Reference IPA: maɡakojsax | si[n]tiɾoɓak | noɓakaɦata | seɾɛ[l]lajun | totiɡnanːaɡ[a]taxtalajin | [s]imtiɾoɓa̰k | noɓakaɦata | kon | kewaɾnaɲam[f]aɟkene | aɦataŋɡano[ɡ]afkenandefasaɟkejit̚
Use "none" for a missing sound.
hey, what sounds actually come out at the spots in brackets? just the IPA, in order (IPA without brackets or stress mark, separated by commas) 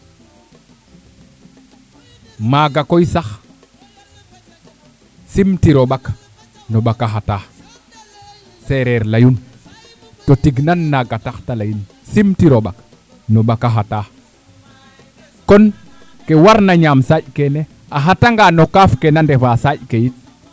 m, ɾ, a, s, s, k